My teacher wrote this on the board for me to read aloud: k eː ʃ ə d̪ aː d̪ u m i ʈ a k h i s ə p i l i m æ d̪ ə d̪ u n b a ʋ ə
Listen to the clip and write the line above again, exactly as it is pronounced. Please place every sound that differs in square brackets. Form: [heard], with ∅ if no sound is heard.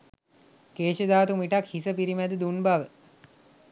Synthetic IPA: k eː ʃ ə d̪ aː [t̪] u m i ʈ a k h i s ə p i [ɾ] i m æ d̪ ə d̪ u n b a ʋ ə